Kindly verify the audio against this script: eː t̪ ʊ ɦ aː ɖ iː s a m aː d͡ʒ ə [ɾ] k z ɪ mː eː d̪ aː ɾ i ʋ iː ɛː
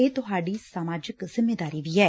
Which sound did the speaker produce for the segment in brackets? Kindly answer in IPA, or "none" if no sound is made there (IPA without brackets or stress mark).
none